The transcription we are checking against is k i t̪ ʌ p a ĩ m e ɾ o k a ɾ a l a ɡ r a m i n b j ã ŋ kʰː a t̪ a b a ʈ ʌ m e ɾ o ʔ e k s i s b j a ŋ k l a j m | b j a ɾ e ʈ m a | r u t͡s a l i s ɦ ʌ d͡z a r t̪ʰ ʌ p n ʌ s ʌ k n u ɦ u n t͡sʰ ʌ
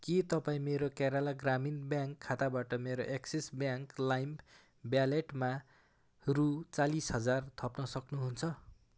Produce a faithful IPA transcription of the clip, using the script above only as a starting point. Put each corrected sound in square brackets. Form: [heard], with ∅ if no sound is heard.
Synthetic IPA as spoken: k i t̪ ʌ p a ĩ m e ɾ o k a ɾ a l a ɡ r a m i n b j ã ŋ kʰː a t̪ a b a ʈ ʌ m e ɾ o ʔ e k s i s b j a ŋ k l a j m | b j a [l] e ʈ m a | r u t͡s a l i s ɦ ʌ d͡z a r t̪ʰ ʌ p n ʌ s ʌ k n u ɦ u n t͡sʰ ʌ